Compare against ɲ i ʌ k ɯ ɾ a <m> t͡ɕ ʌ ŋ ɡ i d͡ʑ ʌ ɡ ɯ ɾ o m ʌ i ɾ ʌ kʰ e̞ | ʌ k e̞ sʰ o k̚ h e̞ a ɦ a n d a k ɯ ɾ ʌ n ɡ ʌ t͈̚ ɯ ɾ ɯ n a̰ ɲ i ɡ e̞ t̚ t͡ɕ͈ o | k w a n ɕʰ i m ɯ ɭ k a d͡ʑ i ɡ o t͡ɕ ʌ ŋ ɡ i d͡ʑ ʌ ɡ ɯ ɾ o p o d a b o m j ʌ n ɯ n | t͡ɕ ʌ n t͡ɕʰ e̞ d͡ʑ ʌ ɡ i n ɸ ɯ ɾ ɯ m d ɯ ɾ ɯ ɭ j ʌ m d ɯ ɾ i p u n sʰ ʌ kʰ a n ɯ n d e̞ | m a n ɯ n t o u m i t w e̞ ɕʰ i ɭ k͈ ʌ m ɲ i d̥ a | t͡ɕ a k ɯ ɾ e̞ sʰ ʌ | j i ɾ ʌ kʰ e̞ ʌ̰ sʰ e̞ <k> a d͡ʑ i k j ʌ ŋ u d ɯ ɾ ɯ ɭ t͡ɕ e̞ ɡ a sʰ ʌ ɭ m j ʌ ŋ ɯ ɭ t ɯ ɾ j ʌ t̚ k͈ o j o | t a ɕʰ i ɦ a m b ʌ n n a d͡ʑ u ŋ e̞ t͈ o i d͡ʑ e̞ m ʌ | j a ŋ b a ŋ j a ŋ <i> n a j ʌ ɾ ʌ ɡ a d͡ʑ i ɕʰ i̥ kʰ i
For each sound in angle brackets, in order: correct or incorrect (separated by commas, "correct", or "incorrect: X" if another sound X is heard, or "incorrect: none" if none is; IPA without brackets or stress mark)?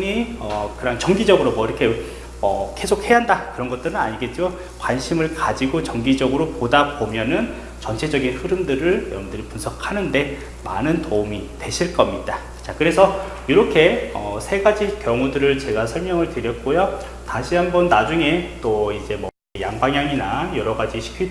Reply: incorrect: ŋ, incorrect: ɡ, correct